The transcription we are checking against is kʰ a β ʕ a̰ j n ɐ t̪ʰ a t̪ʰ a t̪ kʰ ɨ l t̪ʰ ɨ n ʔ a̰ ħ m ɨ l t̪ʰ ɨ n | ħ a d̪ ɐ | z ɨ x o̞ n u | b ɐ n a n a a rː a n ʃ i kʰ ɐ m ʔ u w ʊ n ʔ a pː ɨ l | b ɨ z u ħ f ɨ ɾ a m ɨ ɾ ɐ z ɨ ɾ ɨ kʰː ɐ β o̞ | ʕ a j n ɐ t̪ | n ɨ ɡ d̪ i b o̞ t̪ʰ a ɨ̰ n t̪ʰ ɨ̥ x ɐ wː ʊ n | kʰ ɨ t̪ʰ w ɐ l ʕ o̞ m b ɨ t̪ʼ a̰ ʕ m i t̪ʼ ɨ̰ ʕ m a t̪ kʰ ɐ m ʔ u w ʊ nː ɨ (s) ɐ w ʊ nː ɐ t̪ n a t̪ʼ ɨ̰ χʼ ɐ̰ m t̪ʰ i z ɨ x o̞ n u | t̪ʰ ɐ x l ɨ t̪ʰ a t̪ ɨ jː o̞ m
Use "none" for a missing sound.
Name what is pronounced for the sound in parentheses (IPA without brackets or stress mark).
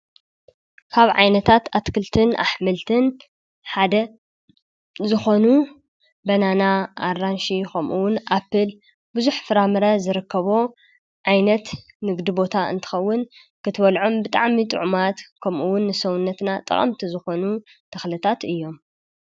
s